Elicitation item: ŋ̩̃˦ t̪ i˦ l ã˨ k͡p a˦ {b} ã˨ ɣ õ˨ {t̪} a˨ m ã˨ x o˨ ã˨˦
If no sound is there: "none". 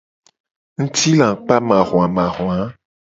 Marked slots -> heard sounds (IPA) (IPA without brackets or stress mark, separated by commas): m, none